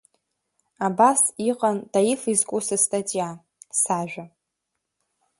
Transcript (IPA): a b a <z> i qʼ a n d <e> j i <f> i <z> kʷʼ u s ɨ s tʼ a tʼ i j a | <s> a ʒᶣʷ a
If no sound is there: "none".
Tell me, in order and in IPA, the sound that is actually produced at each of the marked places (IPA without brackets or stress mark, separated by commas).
s, a, f, z, s